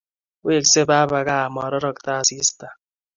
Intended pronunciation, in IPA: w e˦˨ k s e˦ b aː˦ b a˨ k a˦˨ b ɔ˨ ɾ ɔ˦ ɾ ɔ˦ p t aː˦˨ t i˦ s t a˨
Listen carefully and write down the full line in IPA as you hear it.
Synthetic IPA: w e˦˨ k s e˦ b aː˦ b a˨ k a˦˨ m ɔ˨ ɾ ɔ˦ ɾ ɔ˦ k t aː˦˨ s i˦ s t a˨